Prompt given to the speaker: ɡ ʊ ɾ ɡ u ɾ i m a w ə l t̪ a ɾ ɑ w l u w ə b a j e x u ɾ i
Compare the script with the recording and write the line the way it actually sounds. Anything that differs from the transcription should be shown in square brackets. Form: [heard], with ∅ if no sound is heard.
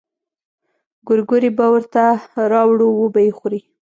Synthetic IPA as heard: ɡ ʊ ɾ ɡ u ɾ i [b] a w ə [ɾ] t̪ a ɾ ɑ w [ɽ] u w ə b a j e x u ɾ i